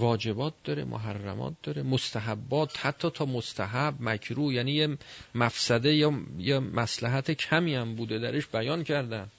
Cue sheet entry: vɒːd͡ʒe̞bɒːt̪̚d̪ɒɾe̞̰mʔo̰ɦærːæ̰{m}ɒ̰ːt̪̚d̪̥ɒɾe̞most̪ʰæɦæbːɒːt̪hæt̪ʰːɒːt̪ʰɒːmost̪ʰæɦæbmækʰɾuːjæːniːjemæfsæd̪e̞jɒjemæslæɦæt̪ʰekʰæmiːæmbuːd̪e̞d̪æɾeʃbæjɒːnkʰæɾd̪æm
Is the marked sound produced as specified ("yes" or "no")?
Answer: yes